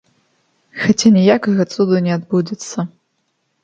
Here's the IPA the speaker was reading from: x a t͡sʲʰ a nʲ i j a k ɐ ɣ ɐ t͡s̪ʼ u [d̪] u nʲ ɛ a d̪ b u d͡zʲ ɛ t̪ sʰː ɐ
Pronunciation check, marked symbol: correct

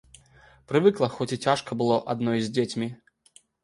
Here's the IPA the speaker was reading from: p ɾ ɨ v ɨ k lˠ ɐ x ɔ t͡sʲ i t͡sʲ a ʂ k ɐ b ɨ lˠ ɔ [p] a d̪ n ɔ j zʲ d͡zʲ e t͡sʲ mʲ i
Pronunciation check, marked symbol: incorrect: ʔ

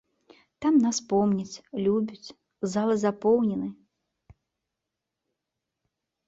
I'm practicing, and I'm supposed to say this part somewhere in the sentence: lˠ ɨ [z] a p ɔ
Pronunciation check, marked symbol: correct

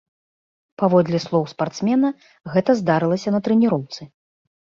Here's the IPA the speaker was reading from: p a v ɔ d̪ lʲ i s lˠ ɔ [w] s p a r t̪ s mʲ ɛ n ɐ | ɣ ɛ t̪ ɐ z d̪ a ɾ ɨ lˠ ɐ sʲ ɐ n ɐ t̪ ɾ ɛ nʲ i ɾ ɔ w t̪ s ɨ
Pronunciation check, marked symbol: correct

